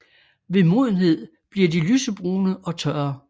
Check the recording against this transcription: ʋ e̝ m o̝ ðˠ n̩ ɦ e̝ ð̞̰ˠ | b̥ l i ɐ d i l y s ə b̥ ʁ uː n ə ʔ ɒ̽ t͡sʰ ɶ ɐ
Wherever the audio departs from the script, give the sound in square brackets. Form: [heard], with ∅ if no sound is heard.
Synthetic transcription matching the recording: ʋ e̝ m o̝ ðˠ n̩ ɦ e̝ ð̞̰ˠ | b̥ l i ɐ d i l y s ə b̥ ʁ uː n ə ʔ ɒ̽ t͡sʰ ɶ ɐ

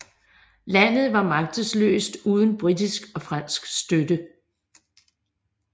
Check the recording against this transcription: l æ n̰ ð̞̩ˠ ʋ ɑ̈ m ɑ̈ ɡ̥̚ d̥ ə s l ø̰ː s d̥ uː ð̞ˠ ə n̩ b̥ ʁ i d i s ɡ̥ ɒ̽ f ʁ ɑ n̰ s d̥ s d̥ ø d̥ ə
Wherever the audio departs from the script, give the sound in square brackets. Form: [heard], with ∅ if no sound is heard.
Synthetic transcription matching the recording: l æ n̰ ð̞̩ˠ ʋ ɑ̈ m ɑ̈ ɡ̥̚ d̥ ə s l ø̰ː s d̥ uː ð̞ˠ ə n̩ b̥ ʁ i d i s ɡ̥ ɒ̽ f ʁ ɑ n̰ s [ɡ̥] s d̥ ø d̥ ə

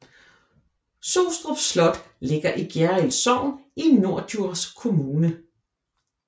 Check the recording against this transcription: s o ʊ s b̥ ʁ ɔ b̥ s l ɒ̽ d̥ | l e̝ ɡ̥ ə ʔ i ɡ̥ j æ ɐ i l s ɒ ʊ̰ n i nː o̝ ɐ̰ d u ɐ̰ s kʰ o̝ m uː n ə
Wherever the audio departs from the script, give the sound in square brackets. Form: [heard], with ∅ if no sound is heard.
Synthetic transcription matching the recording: s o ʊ s [d̥] ʁ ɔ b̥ s l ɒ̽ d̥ | l e̝ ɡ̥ [ɐ] ʔ i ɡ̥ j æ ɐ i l s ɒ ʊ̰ n i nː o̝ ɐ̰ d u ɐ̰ s kʰ o̝ m uː n ə

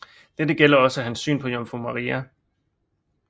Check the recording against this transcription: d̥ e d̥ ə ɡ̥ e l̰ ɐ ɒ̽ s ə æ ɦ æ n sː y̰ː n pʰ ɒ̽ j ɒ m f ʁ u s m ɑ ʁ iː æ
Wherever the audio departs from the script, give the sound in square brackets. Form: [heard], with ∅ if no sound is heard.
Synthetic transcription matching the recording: d̥ e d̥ ə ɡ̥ e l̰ ɐ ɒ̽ s ə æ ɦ æ n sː y̰ː n pʰ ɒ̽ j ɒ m f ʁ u [∅] m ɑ ʁ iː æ

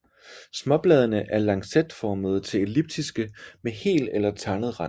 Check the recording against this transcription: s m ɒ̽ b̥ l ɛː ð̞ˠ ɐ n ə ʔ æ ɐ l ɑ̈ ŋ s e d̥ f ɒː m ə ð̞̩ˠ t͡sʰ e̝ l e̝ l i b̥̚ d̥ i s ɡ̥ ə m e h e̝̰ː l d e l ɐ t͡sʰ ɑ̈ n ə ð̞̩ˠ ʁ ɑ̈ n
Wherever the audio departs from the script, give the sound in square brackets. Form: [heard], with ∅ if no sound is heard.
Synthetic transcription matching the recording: s m ɒ̽ b̥ l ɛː ð̞ˠ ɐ n ə ʔ æ ɐ l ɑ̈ ŋ s e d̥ f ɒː m ə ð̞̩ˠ t͡sʰ e̝ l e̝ l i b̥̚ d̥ i s ɡ̥ ə m e h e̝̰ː l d e l ɐ t͡sʰ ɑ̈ n ə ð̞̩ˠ ʁ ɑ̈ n

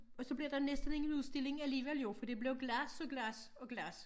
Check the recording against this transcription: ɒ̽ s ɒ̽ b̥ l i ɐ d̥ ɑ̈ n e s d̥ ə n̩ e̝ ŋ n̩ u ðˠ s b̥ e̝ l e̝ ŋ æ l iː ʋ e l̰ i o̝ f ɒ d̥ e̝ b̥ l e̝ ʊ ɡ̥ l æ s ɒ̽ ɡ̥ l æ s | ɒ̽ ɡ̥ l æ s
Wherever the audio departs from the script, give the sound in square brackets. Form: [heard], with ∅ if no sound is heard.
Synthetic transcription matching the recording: ɒ̽ s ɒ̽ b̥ l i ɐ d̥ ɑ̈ n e s d̥ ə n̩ e̝ ŋ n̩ u ðˠ s [d̥] e̝ l e̝ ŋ æ l iː ʋ e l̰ [j] o̝ f ɒ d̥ e̝ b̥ l e̝ ʊ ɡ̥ l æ s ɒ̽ ɡ̥ l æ s | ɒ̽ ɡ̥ l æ s

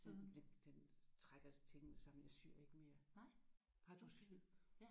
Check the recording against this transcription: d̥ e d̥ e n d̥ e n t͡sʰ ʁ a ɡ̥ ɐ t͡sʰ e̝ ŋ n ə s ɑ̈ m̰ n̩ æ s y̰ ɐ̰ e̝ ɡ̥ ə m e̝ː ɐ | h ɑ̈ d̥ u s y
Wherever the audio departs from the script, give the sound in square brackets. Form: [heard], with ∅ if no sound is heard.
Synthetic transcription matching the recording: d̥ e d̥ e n d̥ e n t͡sʰ ʁ a ɡ̥ ɐ t͡sʰ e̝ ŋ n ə s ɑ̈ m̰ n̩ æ s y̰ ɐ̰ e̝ ɡ̥ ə m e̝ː ɐ | h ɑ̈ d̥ u s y

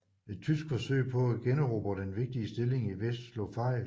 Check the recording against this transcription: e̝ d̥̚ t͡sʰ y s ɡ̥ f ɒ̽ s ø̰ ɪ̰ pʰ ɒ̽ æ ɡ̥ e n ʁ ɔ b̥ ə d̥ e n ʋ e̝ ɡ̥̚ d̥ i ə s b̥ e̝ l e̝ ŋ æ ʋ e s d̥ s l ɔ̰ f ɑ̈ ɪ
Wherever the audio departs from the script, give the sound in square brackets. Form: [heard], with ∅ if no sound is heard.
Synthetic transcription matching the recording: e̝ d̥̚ t͡sʰ y s ɡ̥ f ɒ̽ s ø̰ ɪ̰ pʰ ɒ̽ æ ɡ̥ e n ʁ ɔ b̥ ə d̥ e n ʋ e̝ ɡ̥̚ d̥ i ə s [d̥] e̝ l e̝ ŋ [i] ʋ e s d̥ s l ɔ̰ f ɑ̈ ɪ

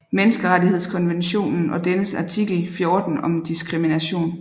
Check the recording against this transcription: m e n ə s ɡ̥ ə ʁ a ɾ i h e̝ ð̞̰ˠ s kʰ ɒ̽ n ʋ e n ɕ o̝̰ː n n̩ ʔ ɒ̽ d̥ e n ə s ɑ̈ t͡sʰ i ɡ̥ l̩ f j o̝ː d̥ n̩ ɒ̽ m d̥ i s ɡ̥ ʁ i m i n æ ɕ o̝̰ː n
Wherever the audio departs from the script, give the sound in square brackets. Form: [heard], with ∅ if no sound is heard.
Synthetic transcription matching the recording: m e n ə s ɡ̥ ə ʁ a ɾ i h e̝ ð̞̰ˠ s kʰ ɒ̽ n ʋ e n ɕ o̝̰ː n n̩ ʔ ɒ̽ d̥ e n ə s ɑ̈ t͡sʰ i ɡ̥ l̩ f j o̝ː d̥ n̩ ɒ̽ m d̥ i s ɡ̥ ʁ i m i n æ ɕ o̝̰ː n

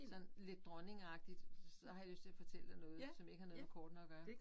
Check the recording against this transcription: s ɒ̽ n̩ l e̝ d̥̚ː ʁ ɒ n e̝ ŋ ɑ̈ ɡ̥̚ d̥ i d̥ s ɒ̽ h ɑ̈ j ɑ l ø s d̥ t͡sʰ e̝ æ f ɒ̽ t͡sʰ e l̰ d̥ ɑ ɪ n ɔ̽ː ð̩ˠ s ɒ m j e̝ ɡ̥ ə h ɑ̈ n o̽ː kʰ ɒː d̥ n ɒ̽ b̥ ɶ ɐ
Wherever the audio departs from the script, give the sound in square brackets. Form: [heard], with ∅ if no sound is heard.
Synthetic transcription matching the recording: s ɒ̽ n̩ l e̝ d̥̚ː ʁ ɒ n e̝ ŋ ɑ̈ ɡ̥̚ d̥ i d̥ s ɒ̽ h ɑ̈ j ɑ l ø s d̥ t͡sʰ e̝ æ f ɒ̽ t͡sʰ e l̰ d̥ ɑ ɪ n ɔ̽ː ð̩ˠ s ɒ m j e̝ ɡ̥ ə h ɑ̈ n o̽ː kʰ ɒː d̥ n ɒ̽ [ɡ̥] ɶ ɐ

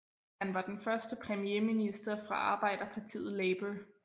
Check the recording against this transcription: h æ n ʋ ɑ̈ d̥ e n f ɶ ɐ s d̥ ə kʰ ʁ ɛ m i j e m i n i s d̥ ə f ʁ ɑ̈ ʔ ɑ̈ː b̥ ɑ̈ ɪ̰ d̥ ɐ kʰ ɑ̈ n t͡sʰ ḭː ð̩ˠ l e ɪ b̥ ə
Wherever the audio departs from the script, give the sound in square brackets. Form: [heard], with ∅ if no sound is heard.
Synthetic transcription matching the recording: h æ n ʋ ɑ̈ d̥ e n f ɶ ɐ s d̥ ə [pʰ] ʁ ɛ m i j e m i n i s d̥ [ɐ] f ʁ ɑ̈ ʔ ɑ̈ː b̥ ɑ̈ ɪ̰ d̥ ɐ [pʰ] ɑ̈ [∅] t͡sʰ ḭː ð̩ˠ l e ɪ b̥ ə

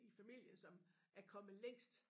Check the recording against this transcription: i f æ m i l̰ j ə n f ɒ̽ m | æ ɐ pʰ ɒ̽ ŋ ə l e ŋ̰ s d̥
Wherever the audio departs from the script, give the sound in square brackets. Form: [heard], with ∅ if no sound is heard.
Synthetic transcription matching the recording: i f æ m i l̰ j ə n [s] ɒ̽ m | æ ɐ [kʰ] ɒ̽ [m] ə l e ŋ̰ s d̥

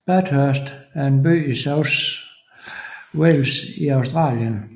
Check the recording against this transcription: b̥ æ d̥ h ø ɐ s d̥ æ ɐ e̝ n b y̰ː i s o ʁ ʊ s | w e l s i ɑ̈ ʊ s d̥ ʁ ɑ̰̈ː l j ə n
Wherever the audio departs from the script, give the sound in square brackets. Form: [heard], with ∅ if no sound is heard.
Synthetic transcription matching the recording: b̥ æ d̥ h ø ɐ s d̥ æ ɐ e̝ n b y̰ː i s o [∅] ʊ s | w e l s i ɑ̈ ʊ s d̥ ʁ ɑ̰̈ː l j ə n

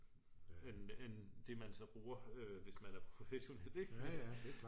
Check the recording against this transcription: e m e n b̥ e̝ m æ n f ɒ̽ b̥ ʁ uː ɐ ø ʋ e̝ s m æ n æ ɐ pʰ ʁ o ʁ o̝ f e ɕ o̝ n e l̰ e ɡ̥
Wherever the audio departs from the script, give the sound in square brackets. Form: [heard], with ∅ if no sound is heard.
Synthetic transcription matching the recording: e [n] e n [d̥] e̝ m æ n [s] ɒ̽ b̥ ʁ uː ɐ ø ʋ e̝ s m æ n æ ɐ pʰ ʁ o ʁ o̝ f e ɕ o̝ n e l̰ e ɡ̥

